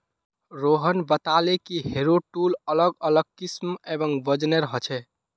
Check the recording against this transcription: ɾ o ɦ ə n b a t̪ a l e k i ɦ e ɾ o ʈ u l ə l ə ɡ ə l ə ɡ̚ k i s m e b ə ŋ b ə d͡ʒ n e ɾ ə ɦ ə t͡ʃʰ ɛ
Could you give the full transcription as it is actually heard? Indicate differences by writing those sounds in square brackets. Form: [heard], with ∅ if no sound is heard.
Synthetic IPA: ɾ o ɦ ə n b [ə] t̪ a l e k i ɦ e ɾ o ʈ u l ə l ə ɡ ə l ə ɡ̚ k i s m e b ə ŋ b ə d͡ʒ n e ɾ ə ɦ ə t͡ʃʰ ɛ